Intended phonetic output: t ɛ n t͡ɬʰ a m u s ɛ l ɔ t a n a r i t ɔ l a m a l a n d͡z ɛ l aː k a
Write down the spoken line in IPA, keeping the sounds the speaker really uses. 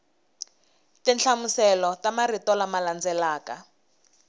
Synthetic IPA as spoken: t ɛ n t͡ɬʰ a m u s ɛ l ɔ t a m a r i t ɔ l a m a l a n d͡z ɛ l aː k a

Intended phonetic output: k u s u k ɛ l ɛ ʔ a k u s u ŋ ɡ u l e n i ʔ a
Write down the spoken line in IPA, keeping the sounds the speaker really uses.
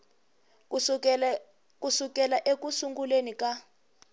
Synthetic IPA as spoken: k u s u k ɛ l a ʔ e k u s u ŋ ɡ u l e n i k a

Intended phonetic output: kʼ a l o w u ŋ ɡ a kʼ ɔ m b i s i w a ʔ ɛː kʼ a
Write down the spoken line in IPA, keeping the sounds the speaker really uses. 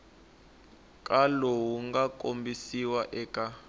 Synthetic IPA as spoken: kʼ a l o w u ŋ ɡ a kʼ o m b i s i w a ʔ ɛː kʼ a

